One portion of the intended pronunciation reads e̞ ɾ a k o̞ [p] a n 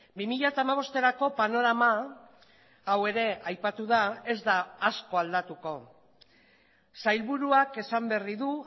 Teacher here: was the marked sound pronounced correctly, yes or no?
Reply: yes